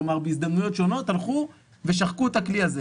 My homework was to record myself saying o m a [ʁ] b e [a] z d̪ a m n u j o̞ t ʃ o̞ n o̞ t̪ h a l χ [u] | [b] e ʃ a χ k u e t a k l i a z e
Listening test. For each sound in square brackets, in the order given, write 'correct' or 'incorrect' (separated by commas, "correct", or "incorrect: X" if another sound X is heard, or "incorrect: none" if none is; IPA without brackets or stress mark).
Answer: correct, incorrect: i, correct, incorrect: v